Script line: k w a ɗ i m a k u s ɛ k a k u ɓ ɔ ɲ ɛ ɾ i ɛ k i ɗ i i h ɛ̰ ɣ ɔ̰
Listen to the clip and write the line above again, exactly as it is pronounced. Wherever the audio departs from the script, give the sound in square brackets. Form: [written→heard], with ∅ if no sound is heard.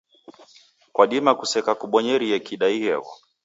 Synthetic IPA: k w a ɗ i m a k u s ɛ k a k u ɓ ɔ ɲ ɛ ɾ i ɛ k i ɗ [i→a] i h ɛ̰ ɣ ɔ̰